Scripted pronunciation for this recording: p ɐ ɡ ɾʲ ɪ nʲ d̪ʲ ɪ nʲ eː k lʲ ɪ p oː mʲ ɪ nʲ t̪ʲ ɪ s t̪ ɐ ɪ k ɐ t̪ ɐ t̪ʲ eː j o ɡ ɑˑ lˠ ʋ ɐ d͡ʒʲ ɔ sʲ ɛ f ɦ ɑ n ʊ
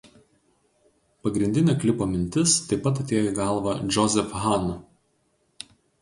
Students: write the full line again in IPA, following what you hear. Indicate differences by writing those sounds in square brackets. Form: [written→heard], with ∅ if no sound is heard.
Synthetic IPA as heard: p ɐ ɡ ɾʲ ɪ nʲ d̪ʲ ɪ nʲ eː k lʲ ɪ p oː mʲ ɪ nʲ t̪ʲ ɪ s t̪ ɐ ɪ [k→p] ɐ t̪ ɐ t̪ʲ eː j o ɡ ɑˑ lˠ ʋ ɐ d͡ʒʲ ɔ [sʲ→zʲ] ɛ f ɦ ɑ n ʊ